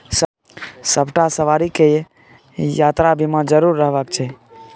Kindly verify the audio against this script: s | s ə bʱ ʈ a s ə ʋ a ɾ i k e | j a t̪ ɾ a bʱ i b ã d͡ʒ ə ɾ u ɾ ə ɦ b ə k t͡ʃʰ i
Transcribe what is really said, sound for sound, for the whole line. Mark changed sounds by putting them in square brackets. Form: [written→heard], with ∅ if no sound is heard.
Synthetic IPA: s | s ə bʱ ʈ a s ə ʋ a ɾ i k e | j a t̪ ɾ a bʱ i [b→m] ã d͡ʒ ə ɾ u [ɾ→ɾː] ə ɦ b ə k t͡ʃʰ [i→ɛ]

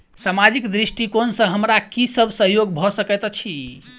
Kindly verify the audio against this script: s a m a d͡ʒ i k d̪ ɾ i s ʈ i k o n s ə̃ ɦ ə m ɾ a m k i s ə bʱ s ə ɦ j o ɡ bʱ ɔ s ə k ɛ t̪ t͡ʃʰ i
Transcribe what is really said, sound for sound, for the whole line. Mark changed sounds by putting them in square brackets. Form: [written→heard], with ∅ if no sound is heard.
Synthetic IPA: s a m a d͡ʒ i k d̪ ɾ i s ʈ i k o n s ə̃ ɦ ə m ɾ a [m→∅] k i s ə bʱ s ə ɦ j o ɡ bʱ ɔ s ə k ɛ t̪ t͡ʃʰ i

